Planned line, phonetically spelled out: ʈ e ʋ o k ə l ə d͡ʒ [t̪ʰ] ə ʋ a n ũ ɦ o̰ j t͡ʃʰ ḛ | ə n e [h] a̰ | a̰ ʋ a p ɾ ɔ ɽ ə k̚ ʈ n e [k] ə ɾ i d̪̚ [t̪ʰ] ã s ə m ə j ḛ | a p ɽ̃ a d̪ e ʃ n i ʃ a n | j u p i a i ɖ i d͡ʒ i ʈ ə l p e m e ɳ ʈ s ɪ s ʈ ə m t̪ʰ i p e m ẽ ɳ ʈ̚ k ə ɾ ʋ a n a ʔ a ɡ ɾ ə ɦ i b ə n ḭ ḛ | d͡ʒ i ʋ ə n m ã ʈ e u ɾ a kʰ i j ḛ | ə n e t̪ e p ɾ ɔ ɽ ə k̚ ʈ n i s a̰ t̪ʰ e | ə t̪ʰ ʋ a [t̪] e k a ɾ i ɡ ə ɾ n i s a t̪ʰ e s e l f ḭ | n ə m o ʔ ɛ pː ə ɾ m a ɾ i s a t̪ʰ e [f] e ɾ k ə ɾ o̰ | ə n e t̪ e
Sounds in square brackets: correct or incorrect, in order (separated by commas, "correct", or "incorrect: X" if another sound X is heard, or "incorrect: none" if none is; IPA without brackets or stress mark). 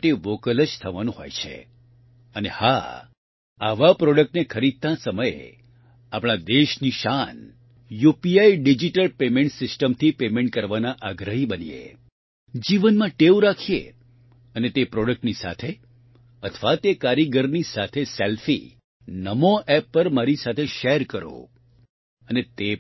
correct, correct, incorrect: kʰ, incorrect: t̪, correct, incorrect: ʃ